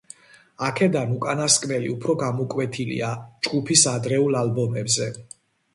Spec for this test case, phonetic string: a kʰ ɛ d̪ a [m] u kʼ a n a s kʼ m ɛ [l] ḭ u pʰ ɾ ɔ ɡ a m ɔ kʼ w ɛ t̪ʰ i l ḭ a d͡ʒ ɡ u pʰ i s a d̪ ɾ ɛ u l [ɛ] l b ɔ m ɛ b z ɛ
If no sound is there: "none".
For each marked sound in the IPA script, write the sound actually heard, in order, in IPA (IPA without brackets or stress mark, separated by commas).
n, l, a